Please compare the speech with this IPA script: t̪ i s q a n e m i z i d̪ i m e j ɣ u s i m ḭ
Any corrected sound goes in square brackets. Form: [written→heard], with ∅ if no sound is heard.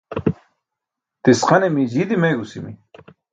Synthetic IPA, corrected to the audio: t̪ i s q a n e m i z i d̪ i m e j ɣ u s i m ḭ